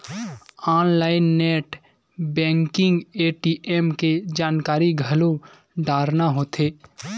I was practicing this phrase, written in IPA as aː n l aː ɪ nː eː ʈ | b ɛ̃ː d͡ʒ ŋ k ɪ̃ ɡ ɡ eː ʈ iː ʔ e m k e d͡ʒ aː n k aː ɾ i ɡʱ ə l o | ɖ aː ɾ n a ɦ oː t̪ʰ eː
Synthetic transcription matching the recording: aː n l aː ɪ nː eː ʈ | b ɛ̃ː ŋ k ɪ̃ ŋ ɡ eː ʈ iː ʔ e m k e d͡ʒ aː n k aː ɾ i ɡʱ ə l o | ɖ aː ɾ n a ɦ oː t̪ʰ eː